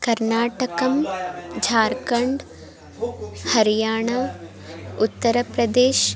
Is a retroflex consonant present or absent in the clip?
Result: present